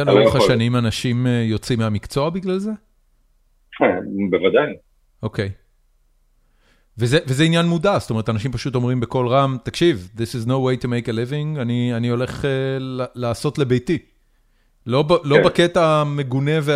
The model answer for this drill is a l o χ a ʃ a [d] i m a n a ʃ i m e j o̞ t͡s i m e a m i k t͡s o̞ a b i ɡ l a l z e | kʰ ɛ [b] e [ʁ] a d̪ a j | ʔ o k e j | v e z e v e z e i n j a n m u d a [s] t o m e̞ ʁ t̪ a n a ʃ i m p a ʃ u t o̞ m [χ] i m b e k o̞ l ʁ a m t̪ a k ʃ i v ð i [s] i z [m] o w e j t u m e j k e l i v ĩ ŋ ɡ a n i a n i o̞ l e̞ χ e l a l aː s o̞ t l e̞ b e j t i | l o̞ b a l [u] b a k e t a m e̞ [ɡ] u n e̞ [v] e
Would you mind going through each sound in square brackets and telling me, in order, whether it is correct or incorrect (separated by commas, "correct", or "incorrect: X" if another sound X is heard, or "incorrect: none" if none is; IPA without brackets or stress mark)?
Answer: incorrect: n, correct, incorrect: v, correct, incorrect: ʁ, correct, incorrect: n, incorrect: o, correct, correct